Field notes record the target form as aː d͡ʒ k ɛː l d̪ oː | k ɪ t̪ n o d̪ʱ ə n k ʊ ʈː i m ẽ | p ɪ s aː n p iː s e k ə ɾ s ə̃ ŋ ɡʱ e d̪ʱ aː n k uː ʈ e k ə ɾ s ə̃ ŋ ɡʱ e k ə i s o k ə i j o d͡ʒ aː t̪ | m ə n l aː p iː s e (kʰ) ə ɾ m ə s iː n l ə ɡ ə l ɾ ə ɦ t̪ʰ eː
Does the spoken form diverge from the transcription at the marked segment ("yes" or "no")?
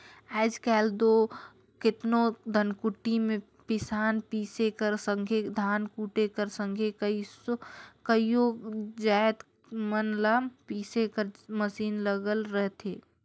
yes